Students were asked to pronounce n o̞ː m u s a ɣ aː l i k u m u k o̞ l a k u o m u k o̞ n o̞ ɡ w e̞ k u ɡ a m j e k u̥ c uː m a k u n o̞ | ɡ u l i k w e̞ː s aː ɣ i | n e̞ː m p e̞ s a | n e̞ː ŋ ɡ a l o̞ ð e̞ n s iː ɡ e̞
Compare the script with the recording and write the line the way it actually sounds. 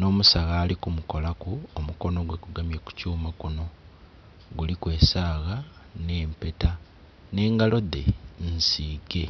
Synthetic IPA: n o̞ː m u s a ɣ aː l i k u m u k o̞ l a k u o m u k o̞ n o̞ ɡ w e̞ k u ɡ a m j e k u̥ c uː m a k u n o̞ | ɡ u l i k w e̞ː s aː ɣ a | n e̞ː m p e̞ t a | n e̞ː ŋ ɡ a l o̞ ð e̞ n s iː ɡ e̞